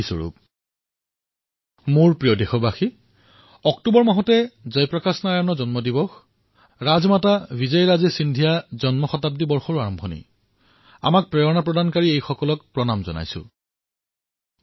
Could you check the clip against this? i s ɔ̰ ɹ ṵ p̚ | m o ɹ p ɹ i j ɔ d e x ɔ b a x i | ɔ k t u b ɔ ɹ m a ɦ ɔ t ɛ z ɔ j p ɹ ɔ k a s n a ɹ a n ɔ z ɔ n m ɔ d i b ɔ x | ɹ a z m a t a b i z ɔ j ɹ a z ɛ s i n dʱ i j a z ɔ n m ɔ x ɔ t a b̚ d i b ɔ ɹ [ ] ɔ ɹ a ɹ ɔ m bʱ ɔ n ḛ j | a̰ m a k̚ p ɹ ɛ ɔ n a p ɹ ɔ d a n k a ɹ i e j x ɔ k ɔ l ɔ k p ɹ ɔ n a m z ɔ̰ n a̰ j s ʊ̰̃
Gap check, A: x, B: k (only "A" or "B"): A